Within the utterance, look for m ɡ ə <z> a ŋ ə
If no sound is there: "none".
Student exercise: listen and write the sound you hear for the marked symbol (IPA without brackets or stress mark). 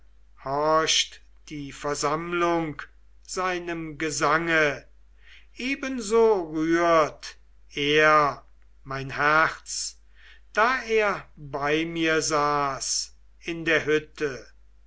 z